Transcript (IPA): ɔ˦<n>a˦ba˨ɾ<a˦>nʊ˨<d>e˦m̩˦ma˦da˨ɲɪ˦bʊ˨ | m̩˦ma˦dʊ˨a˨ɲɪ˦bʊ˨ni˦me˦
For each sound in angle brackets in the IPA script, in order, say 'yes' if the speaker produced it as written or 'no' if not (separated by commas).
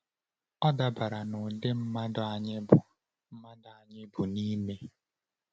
no, no, yes